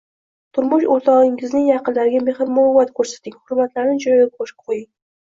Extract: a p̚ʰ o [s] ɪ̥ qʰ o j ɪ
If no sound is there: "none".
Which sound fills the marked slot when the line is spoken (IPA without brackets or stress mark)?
ʃ